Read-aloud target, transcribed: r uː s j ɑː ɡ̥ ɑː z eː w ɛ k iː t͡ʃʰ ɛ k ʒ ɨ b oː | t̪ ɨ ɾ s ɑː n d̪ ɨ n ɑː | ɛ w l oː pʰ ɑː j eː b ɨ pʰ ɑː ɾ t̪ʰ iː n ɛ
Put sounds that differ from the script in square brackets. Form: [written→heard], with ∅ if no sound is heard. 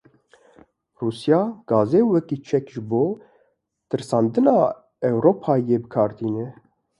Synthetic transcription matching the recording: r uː s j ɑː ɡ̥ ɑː z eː w ɛ k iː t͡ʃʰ ɛ k ʒ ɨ b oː | t̪ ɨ ɾ s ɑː n d̪ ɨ n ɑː | ɛ w [l→ɾ] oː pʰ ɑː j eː b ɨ [pʰ→kʰ] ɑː ɾ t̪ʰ iː n ɛ